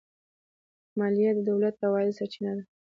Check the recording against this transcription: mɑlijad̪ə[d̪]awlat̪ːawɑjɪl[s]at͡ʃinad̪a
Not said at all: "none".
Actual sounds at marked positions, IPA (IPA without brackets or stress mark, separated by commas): d̪, s